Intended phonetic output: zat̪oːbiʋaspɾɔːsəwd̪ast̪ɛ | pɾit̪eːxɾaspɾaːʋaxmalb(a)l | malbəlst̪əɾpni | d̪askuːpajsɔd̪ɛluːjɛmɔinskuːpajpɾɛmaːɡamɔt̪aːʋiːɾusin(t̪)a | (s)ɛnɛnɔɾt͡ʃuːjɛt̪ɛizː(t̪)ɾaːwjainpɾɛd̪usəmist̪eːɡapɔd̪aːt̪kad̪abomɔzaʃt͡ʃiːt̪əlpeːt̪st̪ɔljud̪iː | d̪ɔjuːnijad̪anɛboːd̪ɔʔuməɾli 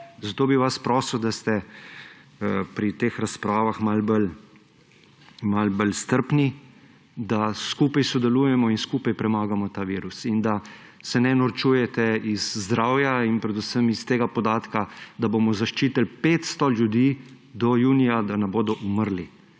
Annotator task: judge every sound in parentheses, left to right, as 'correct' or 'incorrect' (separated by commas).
incorrect, incorrect, correct, incorrect